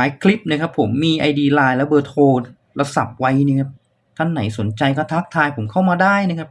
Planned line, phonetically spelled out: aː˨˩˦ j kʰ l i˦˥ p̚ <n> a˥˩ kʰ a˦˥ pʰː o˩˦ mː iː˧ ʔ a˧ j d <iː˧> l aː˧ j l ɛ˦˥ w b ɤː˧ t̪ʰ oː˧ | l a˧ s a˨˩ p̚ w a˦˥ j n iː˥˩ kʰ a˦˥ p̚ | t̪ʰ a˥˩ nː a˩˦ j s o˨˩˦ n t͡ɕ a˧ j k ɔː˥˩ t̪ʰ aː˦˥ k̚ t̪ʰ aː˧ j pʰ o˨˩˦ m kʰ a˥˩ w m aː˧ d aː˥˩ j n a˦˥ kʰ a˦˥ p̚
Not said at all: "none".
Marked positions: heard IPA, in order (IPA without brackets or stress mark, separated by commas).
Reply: n, iː˧